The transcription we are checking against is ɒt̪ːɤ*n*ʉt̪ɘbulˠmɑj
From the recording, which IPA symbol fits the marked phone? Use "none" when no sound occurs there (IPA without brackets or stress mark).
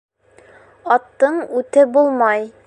ɴ